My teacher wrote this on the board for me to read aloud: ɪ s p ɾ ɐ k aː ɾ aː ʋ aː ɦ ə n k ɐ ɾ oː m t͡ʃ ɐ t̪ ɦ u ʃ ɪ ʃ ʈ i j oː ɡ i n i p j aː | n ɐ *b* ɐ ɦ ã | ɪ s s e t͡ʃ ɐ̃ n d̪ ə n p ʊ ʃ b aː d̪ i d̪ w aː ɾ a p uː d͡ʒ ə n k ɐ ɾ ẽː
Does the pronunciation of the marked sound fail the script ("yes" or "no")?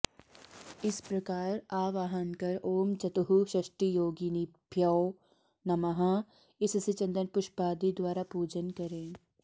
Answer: yes